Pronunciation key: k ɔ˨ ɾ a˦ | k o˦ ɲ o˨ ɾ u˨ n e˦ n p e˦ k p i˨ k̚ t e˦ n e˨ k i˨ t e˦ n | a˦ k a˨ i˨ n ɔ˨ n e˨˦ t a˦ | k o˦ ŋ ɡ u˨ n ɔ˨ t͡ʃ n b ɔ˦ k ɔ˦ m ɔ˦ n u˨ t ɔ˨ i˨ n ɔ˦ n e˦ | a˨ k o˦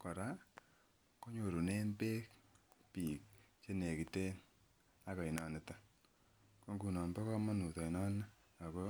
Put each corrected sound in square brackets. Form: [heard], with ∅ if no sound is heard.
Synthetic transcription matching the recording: k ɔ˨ ɾ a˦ | k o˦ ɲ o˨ ɾ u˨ n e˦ n p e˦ k p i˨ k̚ [t͡ʃ] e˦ n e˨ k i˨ t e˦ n | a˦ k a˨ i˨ n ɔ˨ n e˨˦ t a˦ | k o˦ ŋ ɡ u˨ n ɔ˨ [∅] n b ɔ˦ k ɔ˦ m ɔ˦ n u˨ t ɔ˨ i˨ n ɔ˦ n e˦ | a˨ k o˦